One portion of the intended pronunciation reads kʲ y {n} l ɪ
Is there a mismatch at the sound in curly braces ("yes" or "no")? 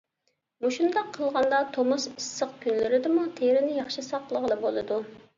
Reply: no